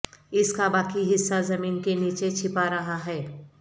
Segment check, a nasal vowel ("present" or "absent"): absent